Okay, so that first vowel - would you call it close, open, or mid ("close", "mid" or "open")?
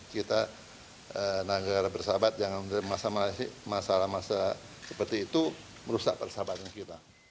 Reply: close